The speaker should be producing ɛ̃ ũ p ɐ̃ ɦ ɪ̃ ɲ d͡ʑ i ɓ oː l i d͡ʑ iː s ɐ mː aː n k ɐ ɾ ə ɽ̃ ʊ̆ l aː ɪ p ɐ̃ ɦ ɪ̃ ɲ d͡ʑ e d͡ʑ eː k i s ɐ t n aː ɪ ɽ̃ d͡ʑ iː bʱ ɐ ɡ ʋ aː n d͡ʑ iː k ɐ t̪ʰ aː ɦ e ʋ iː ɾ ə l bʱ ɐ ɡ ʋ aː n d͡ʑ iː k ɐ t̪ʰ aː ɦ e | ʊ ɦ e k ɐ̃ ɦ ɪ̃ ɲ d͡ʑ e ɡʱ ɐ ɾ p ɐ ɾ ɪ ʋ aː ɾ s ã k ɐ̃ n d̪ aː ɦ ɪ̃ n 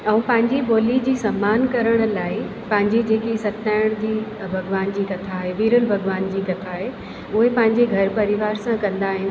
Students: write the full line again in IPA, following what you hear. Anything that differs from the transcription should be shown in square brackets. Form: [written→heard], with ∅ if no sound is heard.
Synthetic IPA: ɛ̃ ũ p ɐ̃ ɦ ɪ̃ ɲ d͡ʑ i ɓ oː l i d͡ʑ iː s ɐ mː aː n k ɐ ɾ ə ɽ̃ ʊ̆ l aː ɪ p ɐ̃ ɦ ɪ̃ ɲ d͡ʑ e d͡ʑ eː k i s ɐ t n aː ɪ ɽ̃ d͡ʑ iː bʱ ɐ ɡ ʋ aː n d͡ʑ iː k ɐ t̪ʰ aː ɦ e ʋ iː ɾ ə l bʱ ɐ ɡ ʋ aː n d͡ʑ iː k ɐ t̪ʰ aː ɦ e | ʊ ɦ e [k→p] ɐ̃ ɦ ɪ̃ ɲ d͡ʑ e ɡʱ ɐ ɾ p ɐ ɾ ɪ ʋ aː ɾ s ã k ɐ̃ n d̪ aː ɦ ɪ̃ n